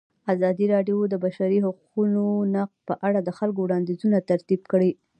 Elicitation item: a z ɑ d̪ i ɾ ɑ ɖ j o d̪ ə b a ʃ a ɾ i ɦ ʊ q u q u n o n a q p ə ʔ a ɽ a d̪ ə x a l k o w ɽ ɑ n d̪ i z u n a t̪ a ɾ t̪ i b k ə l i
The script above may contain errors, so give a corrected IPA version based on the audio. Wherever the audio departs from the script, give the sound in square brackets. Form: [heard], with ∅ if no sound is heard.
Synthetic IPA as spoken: a z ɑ d̪ i ɾ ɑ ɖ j o d̪ ə b a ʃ a ɾ i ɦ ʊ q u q u n o n a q p ə ʔ a ɽ a d̪ ə x a l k o w ɽ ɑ n d̪ i z u n a t̪ a ɾ t̪ i b k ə [ɽ] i